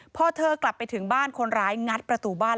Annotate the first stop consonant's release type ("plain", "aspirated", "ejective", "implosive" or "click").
aspirated